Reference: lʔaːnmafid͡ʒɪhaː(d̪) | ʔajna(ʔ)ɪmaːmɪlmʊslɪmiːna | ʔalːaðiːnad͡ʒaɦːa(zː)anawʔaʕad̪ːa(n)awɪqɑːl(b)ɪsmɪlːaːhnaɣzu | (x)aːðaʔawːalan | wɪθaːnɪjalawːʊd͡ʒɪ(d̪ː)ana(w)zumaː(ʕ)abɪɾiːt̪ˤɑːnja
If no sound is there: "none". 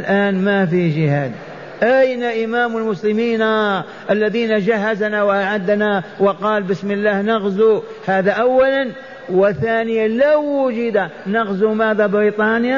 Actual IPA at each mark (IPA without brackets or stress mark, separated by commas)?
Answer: d̪, ʔ, z, n, b, h, d̪, ɣ, ð